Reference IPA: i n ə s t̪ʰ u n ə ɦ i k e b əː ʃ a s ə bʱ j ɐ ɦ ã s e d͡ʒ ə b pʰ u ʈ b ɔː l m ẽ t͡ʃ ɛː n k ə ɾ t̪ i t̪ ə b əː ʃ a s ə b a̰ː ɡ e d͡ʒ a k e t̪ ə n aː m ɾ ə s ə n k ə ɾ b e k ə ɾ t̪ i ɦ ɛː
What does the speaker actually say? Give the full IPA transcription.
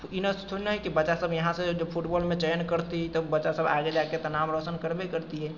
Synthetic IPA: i n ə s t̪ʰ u n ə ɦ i k i b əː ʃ a s ə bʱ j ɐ ɦ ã s e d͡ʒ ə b pʰ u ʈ b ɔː l m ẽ t͡ʃ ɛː n k ə ɾ t̪ i t̪ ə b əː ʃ a s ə b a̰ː ɡ e d͡ʒ a k e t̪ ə n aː m ɾ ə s ə n k ə ɾ b e k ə ɾ t̪ i ɦ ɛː